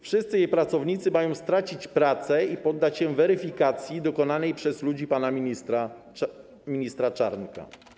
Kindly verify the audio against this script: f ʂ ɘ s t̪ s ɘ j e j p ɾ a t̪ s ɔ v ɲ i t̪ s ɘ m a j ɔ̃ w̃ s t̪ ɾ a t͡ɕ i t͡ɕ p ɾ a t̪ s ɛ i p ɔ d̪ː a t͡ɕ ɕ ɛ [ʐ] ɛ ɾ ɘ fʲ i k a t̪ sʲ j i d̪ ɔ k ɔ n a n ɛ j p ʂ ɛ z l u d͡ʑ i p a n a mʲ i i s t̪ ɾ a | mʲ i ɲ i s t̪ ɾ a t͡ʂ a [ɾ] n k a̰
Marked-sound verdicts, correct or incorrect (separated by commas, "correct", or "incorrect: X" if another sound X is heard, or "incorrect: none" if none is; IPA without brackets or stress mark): incorrect: v, correct